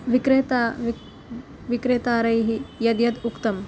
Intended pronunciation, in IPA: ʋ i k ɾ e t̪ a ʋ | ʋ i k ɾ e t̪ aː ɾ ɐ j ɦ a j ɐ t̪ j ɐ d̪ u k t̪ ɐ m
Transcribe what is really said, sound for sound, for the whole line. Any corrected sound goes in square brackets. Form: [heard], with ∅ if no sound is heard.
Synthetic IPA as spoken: ʋ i k ɾ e t̪ a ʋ | ʋ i k ɾ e t̪ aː ɾ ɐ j ɦ [i] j ɐ [d̪] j ɐ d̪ u k t̪ ɐ m